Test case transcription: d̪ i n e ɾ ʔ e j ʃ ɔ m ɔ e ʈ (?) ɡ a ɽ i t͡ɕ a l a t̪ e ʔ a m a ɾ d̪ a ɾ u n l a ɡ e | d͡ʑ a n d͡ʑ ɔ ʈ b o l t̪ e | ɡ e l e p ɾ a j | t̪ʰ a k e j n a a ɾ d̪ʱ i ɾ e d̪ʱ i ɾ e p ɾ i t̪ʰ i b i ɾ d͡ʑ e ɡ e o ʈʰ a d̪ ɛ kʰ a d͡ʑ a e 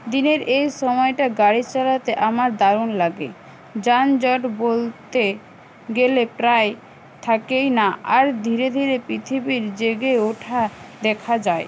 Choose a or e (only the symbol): a